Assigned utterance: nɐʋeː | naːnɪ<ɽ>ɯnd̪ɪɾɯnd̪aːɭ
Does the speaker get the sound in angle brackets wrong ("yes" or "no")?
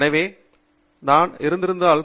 yes